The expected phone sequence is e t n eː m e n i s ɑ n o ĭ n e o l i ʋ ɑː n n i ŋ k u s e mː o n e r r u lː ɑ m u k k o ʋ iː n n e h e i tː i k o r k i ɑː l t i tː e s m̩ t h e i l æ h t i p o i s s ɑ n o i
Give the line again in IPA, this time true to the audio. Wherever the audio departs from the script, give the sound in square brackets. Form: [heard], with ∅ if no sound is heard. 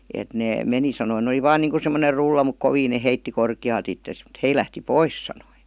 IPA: e t n eː m e n i s ɑ n o ĭ n e o l i ʋ ɑː n n [iː] ŋ k u s e mː o n e r r u lː ɑ m u k k o ʋ iː n n e h e i tː i k o r k i ɑː l t i tː e s m̩ t h e i l æ h t i p o i s s ɑ n o i

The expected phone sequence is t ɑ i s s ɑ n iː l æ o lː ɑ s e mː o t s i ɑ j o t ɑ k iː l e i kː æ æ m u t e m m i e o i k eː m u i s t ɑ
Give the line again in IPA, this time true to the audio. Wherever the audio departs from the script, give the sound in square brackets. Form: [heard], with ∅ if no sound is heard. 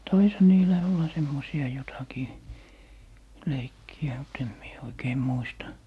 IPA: t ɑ i s [h] ɑ n iː l æ o lː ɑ s e mː o [∅] s i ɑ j o t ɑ k iː l e i kː [i] æ m u t e m m i e o i k eː m u i s t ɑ

